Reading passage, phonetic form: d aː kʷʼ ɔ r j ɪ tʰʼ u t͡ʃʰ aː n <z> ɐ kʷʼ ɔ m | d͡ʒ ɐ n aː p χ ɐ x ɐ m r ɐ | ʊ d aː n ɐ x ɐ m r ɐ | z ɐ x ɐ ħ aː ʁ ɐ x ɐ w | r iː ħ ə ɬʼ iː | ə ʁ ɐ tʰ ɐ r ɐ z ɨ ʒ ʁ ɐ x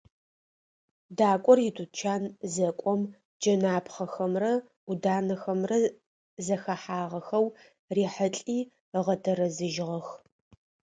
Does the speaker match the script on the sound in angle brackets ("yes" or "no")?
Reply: yes